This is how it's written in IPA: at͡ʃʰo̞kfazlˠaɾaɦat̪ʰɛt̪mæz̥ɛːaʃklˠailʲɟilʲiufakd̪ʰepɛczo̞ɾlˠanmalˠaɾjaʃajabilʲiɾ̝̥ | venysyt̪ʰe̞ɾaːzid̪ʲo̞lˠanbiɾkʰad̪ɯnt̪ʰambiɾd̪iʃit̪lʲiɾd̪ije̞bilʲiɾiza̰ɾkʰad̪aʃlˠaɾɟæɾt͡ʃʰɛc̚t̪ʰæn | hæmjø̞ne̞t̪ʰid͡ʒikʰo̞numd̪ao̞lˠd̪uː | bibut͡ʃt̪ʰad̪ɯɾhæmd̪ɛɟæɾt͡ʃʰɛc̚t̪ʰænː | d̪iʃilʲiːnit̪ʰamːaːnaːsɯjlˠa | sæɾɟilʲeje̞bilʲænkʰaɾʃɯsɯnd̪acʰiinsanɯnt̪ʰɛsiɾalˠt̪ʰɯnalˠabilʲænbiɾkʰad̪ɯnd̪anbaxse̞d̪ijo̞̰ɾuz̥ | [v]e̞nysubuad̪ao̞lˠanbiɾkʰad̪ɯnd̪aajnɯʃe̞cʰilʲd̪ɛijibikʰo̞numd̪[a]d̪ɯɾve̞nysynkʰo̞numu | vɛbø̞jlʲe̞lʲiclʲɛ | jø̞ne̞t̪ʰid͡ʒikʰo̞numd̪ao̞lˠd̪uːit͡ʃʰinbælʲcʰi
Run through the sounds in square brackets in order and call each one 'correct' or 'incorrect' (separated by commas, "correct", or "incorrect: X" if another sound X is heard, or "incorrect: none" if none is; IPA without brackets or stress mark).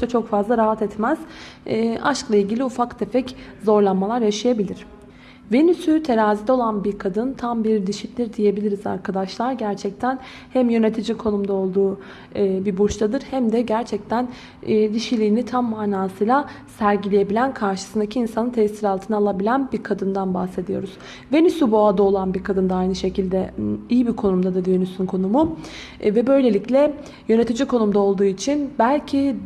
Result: correct, correct